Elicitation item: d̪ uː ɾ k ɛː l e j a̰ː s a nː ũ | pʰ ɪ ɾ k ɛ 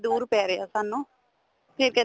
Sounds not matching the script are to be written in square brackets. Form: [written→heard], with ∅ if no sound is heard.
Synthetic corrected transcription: d̪ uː ɾ [k→p] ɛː [l→ɾ] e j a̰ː s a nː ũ | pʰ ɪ ɾ k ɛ